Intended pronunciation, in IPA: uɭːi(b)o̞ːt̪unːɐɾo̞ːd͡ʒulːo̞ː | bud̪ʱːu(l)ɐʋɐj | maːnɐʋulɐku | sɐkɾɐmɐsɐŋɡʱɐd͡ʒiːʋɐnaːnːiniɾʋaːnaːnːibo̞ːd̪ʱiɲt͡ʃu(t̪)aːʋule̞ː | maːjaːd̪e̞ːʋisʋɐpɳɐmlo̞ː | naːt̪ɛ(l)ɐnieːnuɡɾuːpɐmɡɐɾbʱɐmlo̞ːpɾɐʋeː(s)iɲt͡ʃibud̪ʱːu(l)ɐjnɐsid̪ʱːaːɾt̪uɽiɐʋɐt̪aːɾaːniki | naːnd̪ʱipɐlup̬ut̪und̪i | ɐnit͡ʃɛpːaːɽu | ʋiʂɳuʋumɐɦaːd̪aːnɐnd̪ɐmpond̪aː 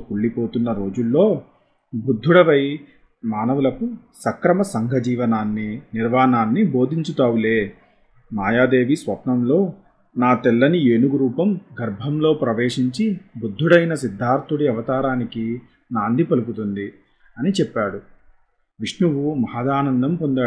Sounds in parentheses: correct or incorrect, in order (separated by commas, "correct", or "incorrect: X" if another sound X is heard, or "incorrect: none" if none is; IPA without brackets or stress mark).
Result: incorrect: p, incorrect: ɽ, correct, incorrect: lː, incorrect: ʂ, incorrect: ɽ